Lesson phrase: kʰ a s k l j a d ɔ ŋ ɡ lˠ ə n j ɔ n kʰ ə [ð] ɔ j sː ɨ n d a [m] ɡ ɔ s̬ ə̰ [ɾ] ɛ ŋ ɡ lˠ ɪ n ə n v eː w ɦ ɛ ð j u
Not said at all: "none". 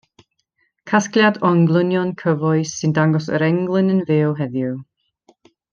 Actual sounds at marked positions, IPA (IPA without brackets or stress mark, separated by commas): v, ŋ, ɾ